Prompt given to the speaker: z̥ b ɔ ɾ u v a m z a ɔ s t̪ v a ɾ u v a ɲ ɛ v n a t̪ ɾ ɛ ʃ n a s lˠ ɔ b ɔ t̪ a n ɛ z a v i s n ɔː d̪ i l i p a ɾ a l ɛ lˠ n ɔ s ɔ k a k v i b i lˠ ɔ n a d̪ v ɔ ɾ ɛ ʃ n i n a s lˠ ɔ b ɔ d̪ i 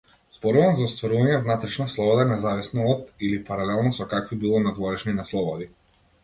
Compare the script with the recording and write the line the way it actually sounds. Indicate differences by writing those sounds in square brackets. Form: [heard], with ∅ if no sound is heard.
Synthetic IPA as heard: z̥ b ɔ ɾ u v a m z a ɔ s t̪ v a ɾ u v a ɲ ɛ v n a t̪ ɾ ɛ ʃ n a s lˠ ɔ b ɔ [d̪] a n ɛ z a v i s n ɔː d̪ i l i p a ɾ a l ɛ lˠ n ɔ s ɔ k a k v i b i lˠ ɔ n a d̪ v ɔ ɾ ɛ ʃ n i n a s lˠ ɔ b ɔ d̪ i